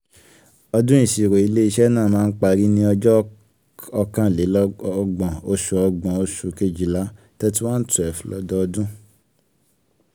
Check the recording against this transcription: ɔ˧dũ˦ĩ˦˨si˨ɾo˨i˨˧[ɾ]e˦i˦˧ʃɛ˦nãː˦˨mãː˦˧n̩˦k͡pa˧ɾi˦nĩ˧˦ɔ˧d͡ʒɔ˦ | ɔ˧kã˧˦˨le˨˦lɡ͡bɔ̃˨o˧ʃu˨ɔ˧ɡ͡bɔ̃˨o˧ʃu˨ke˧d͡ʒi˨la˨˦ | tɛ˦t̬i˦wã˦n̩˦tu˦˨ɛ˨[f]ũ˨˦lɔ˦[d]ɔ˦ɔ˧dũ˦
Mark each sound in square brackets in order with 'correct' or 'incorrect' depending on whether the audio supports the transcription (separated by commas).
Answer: incorrect, correct, correct